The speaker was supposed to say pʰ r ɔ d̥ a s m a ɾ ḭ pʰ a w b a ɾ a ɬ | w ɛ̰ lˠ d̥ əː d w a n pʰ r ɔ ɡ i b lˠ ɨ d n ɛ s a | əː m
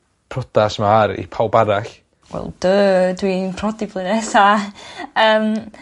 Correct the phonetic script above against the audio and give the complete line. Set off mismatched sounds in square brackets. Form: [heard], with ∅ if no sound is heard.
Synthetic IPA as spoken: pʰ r ɔ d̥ a s m a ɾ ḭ pʰ a w b a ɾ a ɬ | w ɛ̰ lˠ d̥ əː d w [i] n pʰ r ɔ [d] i b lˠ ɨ [∅] n ɛ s a | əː m